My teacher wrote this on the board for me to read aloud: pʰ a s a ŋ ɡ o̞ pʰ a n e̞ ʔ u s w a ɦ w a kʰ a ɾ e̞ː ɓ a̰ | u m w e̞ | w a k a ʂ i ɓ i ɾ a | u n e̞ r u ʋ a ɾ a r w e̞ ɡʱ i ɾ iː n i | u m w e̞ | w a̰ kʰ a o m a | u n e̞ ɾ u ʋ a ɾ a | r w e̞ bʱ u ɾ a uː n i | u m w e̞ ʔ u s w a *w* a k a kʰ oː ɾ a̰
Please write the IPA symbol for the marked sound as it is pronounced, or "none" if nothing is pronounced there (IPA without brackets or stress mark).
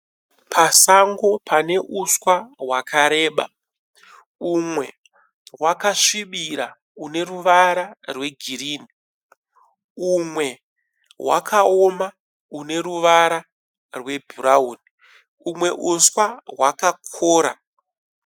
w